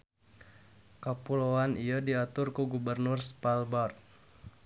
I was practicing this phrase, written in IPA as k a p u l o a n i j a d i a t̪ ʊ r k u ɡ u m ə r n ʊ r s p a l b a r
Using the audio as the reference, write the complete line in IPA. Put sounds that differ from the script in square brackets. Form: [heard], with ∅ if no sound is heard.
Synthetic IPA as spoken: k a p u l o a n i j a d i a t̪ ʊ r k u ɡ u [b] ə r n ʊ r s p a l b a r